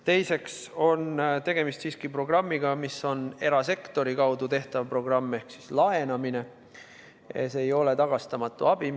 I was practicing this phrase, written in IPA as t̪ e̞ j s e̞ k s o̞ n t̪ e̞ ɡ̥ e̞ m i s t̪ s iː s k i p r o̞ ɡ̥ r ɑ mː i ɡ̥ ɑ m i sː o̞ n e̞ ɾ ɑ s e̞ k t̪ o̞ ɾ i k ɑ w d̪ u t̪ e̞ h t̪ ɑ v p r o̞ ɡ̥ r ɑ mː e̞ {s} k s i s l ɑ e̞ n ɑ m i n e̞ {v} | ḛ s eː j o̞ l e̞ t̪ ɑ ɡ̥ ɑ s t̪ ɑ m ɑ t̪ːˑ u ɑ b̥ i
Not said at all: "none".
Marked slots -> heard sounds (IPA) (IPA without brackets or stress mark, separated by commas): h, none